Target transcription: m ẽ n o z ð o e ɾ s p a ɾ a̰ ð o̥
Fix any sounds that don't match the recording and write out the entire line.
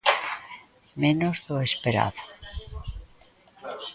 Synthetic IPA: m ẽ n o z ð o e s p e ɾ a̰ ð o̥